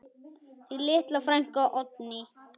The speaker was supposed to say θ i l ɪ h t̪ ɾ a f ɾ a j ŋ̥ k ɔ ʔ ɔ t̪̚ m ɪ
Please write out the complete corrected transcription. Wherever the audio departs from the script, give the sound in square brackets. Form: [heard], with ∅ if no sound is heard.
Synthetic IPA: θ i l ɪ h t̪ [l] a f ɾ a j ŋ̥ k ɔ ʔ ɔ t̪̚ [n] ɪ